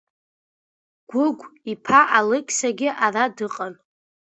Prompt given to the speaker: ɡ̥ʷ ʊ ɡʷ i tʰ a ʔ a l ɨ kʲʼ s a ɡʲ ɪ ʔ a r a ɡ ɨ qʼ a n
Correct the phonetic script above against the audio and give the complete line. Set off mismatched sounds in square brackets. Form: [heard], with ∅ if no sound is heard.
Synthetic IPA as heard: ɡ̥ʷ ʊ ɡʷ i [pʰ] a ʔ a l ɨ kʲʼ s a ɡʲ ɪ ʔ a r a [d] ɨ qʼ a n